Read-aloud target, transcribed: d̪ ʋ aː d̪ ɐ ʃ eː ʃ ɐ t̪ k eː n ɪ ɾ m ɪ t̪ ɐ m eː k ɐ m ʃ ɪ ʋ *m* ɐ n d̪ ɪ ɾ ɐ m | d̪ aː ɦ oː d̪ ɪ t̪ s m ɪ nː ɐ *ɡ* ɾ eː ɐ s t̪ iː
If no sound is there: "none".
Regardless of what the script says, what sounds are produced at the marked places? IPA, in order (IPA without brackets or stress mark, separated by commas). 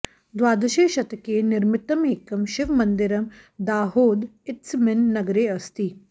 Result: m, ɡ